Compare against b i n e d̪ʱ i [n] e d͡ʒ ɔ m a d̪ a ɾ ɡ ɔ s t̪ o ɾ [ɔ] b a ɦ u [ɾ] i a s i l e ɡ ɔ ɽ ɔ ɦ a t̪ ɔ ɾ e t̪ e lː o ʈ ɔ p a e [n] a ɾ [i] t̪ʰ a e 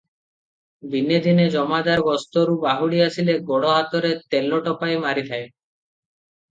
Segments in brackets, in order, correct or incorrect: correct, incorrect, incorrect, incorrect, correct

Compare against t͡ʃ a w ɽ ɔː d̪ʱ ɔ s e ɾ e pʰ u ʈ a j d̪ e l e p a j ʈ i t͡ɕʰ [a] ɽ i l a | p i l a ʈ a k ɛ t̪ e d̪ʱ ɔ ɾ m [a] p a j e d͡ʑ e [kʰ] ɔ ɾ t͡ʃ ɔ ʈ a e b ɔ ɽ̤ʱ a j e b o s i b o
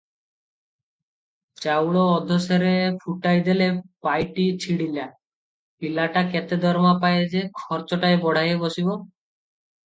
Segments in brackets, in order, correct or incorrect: incorrect, correct, correct

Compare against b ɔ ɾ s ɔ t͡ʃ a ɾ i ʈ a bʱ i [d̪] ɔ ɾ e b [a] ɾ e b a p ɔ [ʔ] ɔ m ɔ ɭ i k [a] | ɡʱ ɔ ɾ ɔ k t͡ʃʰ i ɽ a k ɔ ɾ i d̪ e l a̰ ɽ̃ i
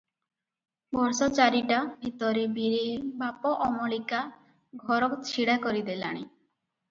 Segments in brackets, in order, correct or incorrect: incorrect, incorrect, correct, correct

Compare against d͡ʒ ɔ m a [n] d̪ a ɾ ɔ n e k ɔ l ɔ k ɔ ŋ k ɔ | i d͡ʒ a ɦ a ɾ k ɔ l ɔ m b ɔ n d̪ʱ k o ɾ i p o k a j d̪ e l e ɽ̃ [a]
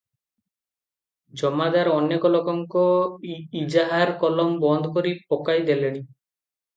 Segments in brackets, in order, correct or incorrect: incorrect, incorrect

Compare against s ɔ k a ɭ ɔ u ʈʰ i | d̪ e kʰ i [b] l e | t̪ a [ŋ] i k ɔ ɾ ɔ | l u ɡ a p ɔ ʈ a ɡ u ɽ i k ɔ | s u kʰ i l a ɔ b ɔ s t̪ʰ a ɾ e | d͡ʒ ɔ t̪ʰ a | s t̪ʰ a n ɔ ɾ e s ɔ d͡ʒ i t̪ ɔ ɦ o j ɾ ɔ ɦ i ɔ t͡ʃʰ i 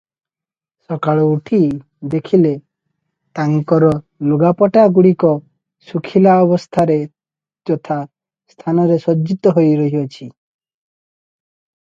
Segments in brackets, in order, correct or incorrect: incorrect, correct

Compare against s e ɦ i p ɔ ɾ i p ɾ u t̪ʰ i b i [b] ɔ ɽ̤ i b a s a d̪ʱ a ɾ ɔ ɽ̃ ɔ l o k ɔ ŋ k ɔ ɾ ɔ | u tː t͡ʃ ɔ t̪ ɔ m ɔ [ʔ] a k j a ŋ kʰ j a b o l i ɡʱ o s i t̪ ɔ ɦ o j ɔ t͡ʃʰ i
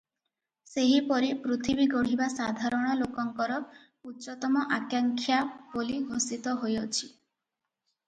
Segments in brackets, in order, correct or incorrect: incorrect, correct

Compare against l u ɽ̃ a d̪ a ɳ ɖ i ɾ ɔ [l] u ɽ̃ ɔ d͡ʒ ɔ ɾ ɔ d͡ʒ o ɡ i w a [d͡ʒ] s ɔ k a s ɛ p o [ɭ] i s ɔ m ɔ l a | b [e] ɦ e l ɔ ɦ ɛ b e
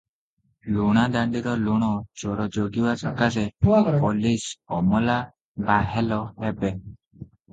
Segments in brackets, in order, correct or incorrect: correct, incorrect, incorrect, incorrect

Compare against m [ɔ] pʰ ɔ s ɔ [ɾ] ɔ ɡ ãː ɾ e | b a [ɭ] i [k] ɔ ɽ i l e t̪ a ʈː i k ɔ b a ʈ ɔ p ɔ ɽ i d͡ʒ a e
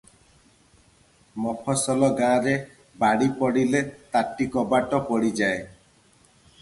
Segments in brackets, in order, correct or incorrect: correct, incorrect, incorrect, incorrect

